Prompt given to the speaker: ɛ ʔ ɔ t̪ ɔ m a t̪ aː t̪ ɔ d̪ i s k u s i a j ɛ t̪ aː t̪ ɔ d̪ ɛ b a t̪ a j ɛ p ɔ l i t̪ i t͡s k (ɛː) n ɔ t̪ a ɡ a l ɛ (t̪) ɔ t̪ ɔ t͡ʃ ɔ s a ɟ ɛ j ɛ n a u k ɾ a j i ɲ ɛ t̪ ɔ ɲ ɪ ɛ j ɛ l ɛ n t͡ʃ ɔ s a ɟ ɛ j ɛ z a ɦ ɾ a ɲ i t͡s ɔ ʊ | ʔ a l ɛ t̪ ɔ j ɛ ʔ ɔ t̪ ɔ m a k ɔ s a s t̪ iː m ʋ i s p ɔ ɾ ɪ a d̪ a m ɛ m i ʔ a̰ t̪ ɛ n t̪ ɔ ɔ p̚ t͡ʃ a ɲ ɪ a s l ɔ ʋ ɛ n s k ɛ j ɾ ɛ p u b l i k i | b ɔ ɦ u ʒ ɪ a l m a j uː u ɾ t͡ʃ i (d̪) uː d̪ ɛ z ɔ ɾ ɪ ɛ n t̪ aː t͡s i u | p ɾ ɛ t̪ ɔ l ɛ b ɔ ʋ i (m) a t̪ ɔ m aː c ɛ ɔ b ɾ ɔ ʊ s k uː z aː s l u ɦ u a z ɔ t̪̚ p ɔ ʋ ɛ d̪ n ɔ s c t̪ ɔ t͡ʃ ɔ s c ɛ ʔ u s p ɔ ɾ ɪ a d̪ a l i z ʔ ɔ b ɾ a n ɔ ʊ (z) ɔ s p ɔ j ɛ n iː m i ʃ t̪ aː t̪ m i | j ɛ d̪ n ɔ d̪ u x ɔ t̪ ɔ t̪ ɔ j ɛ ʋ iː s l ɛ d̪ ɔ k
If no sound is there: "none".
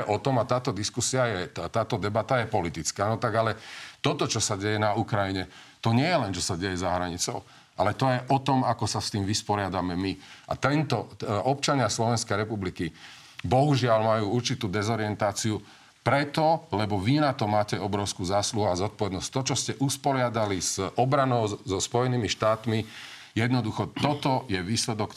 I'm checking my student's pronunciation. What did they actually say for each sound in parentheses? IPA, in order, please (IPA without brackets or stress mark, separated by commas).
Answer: aː, t̪, t̪, n, z